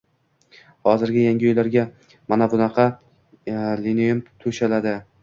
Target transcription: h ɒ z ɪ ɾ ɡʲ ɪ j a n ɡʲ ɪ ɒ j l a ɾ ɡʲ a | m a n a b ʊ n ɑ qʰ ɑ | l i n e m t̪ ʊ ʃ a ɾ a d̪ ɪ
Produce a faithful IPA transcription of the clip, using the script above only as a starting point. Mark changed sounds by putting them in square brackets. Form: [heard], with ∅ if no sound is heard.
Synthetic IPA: h ɒ z ɪ ɾ ɡʲ ɪ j a [ŋ] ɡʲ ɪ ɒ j l a ɾ ɡʲ a | m a n a b ʊ n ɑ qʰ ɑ | l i n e m [t̪ʰ] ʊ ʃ a [l] a d̪ ɪ